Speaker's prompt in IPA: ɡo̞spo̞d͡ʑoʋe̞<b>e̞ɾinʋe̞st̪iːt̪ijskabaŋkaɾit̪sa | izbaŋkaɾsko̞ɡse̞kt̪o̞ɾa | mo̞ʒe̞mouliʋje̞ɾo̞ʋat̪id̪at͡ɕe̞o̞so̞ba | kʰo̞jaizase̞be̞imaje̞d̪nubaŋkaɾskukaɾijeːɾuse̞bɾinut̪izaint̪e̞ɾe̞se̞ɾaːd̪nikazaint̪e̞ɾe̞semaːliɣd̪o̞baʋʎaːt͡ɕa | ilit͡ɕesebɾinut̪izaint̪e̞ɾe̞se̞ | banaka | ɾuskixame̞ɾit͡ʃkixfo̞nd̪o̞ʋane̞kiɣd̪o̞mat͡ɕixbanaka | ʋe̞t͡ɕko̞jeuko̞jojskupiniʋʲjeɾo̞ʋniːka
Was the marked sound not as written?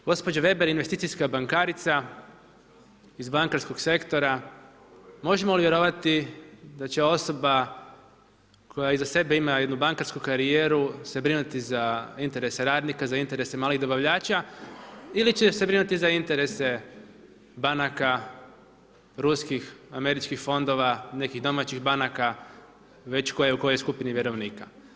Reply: no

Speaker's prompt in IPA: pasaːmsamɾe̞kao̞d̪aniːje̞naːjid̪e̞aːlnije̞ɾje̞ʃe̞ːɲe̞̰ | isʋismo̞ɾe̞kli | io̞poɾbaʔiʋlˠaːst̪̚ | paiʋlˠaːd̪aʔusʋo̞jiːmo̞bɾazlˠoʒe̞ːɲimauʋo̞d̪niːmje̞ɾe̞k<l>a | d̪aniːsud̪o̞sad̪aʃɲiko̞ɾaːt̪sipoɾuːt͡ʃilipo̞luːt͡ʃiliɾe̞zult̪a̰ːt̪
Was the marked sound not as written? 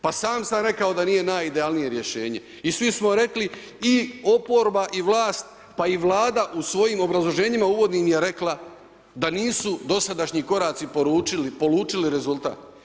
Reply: no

